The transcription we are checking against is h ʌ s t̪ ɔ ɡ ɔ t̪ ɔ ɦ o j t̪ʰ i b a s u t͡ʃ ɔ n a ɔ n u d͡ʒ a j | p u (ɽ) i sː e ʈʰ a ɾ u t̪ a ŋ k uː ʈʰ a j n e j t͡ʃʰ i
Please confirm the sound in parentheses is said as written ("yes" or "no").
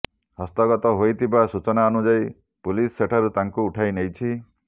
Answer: no